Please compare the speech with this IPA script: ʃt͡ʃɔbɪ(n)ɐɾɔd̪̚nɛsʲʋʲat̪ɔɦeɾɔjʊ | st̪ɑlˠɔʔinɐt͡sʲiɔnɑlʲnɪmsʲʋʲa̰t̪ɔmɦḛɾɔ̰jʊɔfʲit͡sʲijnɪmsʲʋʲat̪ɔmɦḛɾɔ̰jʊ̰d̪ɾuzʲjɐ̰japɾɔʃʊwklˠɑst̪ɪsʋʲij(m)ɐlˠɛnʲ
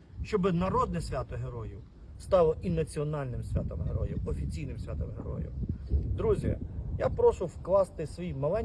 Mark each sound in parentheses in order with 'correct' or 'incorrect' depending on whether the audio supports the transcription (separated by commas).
correct, correct